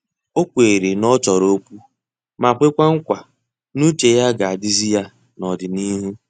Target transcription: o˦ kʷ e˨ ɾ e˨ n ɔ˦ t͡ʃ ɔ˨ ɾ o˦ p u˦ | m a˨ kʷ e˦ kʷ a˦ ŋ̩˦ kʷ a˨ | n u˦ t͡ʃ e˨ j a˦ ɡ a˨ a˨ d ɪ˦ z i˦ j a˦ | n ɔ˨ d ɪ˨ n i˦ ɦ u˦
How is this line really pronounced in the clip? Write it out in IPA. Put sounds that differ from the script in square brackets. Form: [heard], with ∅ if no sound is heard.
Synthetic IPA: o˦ kʷ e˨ ɾ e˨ n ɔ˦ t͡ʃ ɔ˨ ɾ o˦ p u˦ | m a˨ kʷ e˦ kʷ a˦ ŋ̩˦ kʷ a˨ | n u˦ t͡ʃ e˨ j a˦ ɡ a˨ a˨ d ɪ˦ z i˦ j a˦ | n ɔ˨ d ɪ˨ n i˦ ɦ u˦